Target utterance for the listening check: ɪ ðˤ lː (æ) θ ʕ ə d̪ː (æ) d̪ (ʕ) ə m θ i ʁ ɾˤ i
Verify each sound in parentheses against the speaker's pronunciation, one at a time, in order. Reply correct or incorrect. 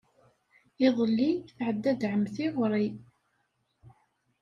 incorrect: i, correct, correct

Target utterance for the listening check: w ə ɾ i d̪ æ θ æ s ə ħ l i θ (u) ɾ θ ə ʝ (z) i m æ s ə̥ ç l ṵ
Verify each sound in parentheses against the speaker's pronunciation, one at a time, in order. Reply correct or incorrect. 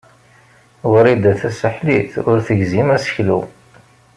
incorrect: ʊ, correct

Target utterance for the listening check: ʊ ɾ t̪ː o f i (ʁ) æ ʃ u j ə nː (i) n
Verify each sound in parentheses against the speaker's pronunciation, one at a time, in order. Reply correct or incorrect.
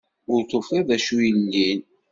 incorrect: ð, correct

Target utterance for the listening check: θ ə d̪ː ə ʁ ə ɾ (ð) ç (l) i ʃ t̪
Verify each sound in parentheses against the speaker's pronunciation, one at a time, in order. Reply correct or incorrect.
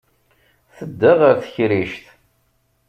incorrect: θ, incorrect: ɾ

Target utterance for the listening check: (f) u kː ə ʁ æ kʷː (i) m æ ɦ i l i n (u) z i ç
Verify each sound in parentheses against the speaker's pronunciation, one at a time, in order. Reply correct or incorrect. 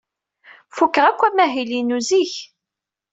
correct, incorrect: æ, correct

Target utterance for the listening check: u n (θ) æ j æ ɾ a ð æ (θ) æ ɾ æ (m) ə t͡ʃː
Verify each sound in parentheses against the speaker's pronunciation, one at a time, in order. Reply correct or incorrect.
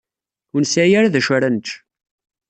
incorrect: s, incorrect: ʃ, incorrect: n

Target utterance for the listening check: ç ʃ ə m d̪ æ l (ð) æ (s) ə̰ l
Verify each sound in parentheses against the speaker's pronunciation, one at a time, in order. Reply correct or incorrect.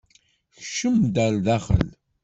correct, incorrect: χ

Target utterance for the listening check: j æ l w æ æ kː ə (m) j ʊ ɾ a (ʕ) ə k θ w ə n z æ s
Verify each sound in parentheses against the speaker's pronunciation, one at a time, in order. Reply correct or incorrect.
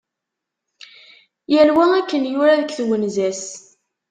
incorrect: n, incorrect: ð

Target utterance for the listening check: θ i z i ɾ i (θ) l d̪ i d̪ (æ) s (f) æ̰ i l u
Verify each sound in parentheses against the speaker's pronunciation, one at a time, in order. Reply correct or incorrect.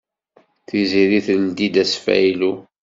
correct, correct, correct

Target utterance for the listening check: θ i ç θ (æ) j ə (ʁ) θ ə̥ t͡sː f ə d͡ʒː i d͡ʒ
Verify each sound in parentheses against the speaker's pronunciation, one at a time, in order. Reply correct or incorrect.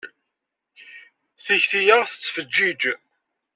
incorrect: i, correct

